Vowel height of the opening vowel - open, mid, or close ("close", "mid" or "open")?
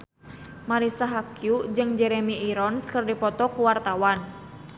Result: open